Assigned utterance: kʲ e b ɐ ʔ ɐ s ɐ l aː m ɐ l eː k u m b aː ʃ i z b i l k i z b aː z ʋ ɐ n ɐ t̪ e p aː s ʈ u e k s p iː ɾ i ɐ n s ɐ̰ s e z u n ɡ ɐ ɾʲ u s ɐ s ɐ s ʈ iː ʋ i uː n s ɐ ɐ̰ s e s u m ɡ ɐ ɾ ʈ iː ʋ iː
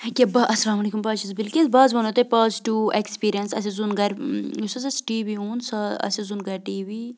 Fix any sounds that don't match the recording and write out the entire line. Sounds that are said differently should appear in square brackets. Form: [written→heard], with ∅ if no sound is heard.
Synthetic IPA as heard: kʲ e b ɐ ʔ ɐ s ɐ l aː m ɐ l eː k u m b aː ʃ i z b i l k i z b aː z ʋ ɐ n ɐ t̪ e p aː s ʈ u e k s p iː ɾ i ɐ n s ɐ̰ s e z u n ɡ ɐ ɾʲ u s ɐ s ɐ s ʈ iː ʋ i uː n s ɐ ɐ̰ s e [s→z] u [m→n] ɡ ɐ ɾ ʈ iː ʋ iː

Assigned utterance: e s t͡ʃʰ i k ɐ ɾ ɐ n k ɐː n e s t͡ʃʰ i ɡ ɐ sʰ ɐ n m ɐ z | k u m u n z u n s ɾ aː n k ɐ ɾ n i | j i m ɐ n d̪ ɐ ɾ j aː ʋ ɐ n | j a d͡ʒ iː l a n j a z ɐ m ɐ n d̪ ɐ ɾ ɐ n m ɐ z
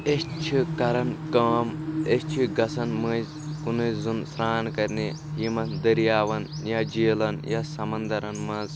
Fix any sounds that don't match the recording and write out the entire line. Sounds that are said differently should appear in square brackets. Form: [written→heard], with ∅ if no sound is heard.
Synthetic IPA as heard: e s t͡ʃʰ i k ɐ ɾ ɐ n k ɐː [n→m] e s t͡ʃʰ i ɡ ɐ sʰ ɐ n m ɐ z | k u [m→n] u [n→∅] z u n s ɾ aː n k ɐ ɾ n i | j i m ɐ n d̪ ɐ ɾ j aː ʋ ɐ n | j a d͡ʒ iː l [a→ɐ] n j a [z→s] ɐ m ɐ n d̪ ɐ ɾ ɐ n m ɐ z

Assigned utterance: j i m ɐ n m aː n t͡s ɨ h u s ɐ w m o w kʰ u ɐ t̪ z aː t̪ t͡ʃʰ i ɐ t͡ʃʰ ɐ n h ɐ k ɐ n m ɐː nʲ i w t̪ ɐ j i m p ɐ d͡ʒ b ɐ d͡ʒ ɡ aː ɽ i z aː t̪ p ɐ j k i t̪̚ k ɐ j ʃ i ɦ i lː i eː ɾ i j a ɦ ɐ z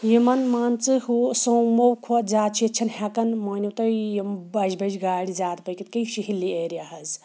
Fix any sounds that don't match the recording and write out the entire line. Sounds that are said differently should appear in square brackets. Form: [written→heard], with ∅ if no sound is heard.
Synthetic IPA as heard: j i m ɐ n m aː n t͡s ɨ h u s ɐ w m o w kʰ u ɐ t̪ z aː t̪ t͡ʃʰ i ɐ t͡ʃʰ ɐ n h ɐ k ɐ n m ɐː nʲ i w t̪ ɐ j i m [p→b] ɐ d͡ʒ b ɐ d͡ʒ ɡ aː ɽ i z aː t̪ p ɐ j k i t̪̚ k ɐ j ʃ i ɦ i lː i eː ɾ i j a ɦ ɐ z

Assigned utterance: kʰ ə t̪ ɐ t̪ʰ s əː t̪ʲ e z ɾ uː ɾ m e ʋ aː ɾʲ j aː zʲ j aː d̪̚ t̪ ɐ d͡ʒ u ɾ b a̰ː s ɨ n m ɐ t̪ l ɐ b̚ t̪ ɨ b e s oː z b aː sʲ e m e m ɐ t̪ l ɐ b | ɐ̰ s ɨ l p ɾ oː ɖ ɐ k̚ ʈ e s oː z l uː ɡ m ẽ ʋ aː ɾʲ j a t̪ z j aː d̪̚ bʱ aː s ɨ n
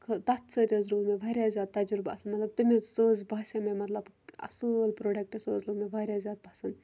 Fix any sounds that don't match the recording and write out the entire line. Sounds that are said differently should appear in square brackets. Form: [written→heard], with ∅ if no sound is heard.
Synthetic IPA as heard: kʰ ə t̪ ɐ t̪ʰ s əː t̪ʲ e z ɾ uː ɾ m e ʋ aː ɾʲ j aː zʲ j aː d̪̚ t̪ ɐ d͡ʒ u ɾ b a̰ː s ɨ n m ɐ t̪ l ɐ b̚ t̪ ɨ [b→m] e s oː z b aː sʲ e m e m ɐ t̪ l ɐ b | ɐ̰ s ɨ l p ɾ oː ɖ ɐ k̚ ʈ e s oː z l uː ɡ m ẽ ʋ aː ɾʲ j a [t̪→∅] z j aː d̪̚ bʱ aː s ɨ n

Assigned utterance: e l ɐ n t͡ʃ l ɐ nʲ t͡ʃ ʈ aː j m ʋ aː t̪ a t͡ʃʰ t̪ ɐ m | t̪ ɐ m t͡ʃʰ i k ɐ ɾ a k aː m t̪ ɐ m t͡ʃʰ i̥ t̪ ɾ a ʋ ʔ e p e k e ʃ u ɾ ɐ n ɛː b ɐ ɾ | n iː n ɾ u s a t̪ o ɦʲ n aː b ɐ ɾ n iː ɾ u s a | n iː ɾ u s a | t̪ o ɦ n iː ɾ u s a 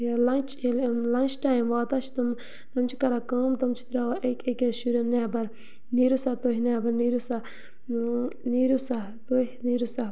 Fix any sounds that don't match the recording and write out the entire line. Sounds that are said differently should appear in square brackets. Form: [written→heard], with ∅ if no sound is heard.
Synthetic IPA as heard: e l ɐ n t͡ʃ l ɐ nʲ t͡ʃ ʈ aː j m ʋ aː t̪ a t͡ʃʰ t̪ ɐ m | t̪ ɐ m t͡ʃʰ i k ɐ ɾ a k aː m t̪ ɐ m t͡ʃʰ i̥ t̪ ɾ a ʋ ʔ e [p→k] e k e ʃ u ɾ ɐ n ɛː b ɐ ɾ | n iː [n→∅] ɾ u s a t̪ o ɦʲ n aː b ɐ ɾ n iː ɾ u s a | n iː ɾ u s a | t̪ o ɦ n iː ɾ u s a

